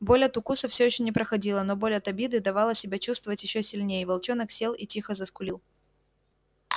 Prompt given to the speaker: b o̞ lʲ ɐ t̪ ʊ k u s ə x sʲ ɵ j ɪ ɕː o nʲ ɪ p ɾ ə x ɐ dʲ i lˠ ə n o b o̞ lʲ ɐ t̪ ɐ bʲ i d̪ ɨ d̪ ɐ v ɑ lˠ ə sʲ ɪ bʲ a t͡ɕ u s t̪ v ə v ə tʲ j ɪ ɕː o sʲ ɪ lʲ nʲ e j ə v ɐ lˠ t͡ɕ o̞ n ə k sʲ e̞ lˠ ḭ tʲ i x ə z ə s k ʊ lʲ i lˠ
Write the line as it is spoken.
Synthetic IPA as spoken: b o̞ lʲ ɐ t̪ ʊ k u s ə f sʲ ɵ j ɪ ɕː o nʲ ɪ p ɾ ə x ɐ dʲ i lˠ ə n o b o̞ lʲ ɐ t̪ ɐ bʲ i d̪ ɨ d̪ ɐ v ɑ lˠ ə sʲ ɪ bʲ a t͡ɕ u s t̪ v ə v ə tʲ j ɪ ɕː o sʲ ɪ lʲ nʲ e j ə v ɐ lˠ t͡ɕ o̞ n ə k sʲ e̞ lˠ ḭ tʲ i x ə z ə s k ʊ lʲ i lˠ